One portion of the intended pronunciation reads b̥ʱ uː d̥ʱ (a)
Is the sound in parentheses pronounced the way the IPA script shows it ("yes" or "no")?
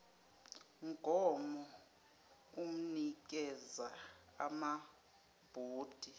no